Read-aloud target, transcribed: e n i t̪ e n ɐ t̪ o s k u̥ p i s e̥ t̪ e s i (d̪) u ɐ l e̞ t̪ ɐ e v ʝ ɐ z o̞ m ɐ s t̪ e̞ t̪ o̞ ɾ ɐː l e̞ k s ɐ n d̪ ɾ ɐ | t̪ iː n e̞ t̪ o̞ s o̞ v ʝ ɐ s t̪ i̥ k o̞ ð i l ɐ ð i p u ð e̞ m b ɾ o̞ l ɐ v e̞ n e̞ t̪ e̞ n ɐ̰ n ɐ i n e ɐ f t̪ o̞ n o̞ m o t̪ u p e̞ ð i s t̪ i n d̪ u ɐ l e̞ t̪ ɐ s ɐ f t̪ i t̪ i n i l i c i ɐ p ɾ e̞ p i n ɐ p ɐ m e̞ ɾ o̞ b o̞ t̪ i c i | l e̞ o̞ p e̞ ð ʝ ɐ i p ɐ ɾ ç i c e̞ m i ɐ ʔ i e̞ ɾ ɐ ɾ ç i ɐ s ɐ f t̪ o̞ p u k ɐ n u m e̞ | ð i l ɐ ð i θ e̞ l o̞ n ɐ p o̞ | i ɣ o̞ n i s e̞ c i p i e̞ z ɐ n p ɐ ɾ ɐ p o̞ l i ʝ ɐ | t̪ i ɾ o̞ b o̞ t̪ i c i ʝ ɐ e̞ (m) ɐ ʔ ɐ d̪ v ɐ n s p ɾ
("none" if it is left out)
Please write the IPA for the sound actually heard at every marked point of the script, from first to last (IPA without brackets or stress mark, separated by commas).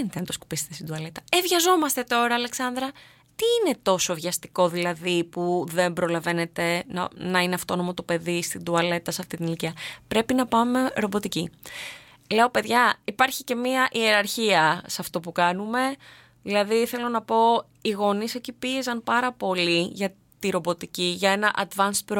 d̪, n